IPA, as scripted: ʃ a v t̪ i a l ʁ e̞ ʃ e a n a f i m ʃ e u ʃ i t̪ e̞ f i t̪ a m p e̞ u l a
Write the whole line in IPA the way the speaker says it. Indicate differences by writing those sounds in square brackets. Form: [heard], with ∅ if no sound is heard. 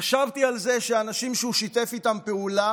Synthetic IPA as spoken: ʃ a v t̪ i a l [z] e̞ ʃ e a n a [ʃ] i m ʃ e u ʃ i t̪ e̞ f i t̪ a m p e̞ u l a